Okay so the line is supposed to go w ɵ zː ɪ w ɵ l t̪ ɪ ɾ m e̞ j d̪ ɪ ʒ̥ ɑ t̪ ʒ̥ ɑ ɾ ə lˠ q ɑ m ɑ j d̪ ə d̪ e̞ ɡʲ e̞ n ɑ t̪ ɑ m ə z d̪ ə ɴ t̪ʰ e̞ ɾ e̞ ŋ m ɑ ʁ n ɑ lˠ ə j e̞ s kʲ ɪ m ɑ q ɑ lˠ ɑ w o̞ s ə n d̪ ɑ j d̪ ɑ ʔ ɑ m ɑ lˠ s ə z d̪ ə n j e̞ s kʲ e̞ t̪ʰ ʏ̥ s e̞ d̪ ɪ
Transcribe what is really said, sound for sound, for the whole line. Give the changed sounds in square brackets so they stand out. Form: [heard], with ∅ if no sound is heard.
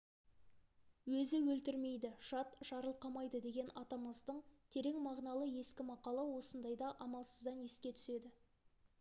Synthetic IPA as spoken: w ɵ [z] ɪ w ɵ l t̪ ɪ ɾ m e̞ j d̪ ɪ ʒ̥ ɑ t̪ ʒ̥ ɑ ɾ ə lˠ q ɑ m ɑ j d̪ ə d̪ e̞ ɡʲ e̞ n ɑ t̪ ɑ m ə z d̪ ə ɴ t̪ʰ e̞ ɾ e̞ ŋ m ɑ ʁ n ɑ lˠ ə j e̞ s kʲ ɪ m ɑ q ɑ lˠ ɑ w o̞ s ə n d̪ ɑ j d̪ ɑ ʔ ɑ m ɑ lˠ s ə z d̪ [ɑ] n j e̞ s kʲ e̞ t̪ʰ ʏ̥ s e̞ d̪ ɪ